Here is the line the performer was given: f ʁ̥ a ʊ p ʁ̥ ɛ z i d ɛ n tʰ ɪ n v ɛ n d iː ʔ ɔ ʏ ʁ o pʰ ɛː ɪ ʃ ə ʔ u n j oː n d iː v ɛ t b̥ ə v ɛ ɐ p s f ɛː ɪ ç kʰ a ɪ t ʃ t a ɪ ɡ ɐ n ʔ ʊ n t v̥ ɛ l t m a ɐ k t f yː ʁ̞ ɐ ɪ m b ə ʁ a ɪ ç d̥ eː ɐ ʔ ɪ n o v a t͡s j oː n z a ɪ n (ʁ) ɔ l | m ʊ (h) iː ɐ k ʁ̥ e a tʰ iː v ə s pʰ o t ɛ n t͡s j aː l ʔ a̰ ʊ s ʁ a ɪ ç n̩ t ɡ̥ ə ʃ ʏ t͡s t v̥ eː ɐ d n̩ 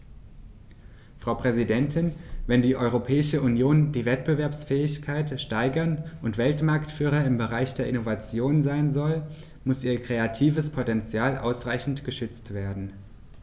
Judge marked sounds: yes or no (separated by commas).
no, no